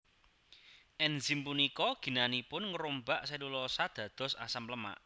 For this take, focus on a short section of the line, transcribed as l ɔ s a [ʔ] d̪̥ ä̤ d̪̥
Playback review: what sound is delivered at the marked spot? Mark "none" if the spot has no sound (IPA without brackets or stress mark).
none